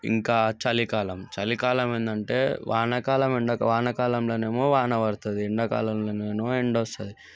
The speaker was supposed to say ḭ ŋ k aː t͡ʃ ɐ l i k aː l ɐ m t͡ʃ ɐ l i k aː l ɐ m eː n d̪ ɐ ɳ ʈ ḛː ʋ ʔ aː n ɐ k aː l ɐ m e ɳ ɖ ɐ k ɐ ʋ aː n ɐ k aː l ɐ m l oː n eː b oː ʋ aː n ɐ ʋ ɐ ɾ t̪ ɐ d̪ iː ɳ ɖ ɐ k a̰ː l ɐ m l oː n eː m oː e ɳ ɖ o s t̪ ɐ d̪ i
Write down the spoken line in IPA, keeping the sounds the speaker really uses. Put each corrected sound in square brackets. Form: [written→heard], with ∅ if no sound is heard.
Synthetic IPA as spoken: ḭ ŋ k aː t͡ʃ ɐ l i k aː l ɐ m t͡ʃ ɐ l i k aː l ɐ m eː n d̪ ɐ ɳ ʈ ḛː ʋ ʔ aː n ɐ k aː l ɐ m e ɳ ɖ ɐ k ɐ ʋ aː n ɐ k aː l ɐ m l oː n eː [b→m] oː ʋ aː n ɐ ʋ ɐ ɾ t̪ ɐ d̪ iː ɳ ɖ ɐ k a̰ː l ɐ m l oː n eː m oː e ɳ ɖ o s t̪ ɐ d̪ i